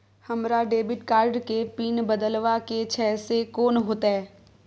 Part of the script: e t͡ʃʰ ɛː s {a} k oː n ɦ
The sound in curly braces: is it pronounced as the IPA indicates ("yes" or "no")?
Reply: no